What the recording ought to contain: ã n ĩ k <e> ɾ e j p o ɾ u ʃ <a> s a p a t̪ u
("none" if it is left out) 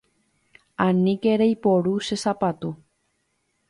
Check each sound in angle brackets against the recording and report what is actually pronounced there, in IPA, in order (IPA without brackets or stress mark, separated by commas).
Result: e, e